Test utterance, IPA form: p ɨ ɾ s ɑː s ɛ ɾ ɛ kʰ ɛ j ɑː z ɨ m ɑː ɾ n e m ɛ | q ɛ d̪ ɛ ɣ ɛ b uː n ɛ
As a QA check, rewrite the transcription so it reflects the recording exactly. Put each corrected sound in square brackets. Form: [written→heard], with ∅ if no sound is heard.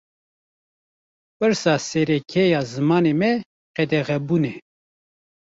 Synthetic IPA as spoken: p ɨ ɾ s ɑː s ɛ ɾ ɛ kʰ ɛ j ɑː z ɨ m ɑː [ɾ→∅] n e m ɛ | q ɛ d̪ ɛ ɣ ɛ b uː n ɛ

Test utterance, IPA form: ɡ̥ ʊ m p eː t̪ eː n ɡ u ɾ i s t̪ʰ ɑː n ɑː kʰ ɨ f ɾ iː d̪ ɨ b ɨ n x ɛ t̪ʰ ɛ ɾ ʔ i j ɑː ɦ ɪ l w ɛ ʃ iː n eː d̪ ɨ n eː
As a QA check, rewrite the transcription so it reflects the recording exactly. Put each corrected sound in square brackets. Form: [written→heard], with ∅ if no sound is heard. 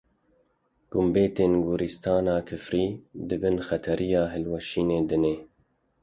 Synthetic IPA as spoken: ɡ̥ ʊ m [p→b] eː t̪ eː n ɡ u ɾ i s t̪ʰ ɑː n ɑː kʰ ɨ f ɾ iː d̪ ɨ b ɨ n x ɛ t̪ʰ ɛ ɾ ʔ i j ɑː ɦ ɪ l w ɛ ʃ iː n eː d̪ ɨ n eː

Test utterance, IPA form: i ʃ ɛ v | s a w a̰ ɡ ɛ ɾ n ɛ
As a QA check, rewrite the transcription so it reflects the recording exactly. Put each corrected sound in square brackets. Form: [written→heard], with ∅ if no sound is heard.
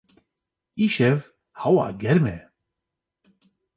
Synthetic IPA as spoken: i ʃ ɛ v | [s→h] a w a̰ ɡ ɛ ɾ [n→m] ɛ

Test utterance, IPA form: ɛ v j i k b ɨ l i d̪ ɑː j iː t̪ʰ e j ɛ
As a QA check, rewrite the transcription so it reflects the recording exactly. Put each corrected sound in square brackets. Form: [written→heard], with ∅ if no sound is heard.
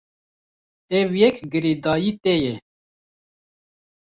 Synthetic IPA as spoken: ɛ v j [i→ɛ] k [b→ɡ] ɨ [l→ɾ] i d̪ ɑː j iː [t̪ʰ→t̪] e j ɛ

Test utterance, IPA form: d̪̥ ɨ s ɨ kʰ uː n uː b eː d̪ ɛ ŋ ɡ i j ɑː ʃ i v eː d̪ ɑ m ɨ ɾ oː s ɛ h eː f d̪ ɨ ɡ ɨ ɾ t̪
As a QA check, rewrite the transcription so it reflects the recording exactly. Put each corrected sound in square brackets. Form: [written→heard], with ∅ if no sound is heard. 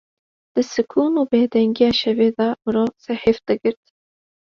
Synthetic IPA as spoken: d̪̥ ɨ s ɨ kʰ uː n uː b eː d̪ ɛ ŋ ɡ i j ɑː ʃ [i→ɛ] v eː d̪ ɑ m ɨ ɾ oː s ɛ h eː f d̪ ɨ ɡ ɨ ɾ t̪

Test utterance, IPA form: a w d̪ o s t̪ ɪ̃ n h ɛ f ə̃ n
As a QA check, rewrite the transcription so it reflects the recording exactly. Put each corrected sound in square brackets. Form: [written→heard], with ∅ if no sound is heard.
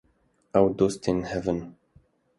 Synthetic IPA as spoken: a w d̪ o s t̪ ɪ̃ n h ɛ [f→v] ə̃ n

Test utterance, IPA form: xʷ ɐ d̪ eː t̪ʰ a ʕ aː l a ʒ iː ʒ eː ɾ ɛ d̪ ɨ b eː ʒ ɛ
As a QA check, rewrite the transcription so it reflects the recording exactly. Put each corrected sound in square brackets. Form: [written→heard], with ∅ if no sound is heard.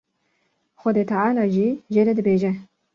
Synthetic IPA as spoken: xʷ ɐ d̪ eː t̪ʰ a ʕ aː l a ʒ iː ʒ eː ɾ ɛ d̪ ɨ b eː ʒ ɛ

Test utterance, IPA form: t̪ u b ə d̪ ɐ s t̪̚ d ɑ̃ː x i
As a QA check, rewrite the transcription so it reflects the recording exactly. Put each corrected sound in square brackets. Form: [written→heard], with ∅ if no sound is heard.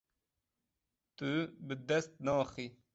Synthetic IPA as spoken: t̪ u b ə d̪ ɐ s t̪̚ [d→n] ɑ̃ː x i

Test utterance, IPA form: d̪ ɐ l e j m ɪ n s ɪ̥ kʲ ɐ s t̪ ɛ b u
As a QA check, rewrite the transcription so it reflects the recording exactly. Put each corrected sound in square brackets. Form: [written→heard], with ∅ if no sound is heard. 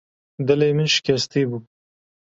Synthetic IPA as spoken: d̪ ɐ l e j m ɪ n [s→ʃ] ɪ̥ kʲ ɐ s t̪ [ɛ→i] b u

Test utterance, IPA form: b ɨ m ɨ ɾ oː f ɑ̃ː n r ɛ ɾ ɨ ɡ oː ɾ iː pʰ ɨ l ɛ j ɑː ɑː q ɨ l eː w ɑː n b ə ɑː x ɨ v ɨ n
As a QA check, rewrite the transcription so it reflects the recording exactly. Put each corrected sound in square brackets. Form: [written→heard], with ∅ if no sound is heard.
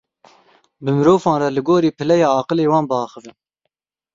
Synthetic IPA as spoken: b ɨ m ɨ ɾ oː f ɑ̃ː n r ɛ [ɾ→l] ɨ ɡ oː ɾ iː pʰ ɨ l ɛ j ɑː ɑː q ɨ l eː w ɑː n b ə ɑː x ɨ v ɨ n

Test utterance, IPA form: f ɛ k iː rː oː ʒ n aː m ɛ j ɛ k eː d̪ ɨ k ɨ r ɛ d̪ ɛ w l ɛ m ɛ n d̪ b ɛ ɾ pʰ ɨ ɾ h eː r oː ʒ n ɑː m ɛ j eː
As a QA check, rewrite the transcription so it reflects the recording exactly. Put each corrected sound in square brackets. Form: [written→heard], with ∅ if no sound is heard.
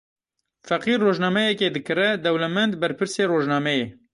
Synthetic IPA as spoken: f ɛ [k→q] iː rː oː ʒ n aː m ɛ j ɛ k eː d̪ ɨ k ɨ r ɛ d̪ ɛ w l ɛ m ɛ n d̪ b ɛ ɾ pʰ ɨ ɾ [h→s] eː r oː ʒ n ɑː m ɛ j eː

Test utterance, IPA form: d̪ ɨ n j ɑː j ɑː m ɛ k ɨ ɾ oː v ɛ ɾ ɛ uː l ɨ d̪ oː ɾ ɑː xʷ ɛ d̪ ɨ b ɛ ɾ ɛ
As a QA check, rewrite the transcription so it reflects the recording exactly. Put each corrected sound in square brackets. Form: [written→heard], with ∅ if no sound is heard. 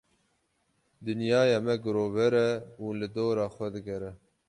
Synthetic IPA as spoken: d̪ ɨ n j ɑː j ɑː m ɛ [k→ɡ] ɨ ɾ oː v ɛ ɾ ɛ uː l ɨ d̪ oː ɾ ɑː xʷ ɛ d̪ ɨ [b→ɡ] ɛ ɾ ɛ

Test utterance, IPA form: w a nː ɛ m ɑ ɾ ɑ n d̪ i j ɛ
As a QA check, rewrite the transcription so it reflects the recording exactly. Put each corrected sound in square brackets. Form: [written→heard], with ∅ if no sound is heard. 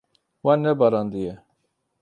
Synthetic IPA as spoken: w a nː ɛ [m→b] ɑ ɾ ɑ n d̪ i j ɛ

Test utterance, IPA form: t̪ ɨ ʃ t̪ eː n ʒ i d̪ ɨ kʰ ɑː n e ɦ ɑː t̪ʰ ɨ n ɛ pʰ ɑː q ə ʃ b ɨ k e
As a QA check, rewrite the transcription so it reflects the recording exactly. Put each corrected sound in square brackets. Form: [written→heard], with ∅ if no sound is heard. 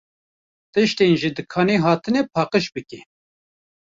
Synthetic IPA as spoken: t̪ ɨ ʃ t̪ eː n ʒ i d̪ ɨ kʰ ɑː n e ɦ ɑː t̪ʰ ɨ n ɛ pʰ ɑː q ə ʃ b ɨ k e

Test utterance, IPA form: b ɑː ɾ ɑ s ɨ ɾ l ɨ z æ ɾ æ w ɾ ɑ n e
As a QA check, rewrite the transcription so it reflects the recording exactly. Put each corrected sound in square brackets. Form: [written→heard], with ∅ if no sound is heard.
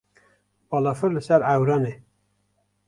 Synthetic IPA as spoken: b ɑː [ɾ→l] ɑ [s→f] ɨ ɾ l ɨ [z→s] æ ɾ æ w ɾ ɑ n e

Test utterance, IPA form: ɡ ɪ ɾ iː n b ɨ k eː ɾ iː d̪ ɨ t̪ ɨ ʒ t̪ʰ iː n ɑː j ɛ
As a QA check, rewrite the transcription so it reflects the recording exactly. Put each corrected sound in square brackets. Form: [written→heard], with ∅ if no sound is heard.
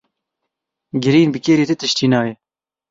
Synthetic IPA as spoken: ɡ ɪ ɾ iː n b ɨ k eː ɾ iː [d̪→t̪] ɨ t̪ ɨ [ʒ→ʃ] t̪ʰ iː n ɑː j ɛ

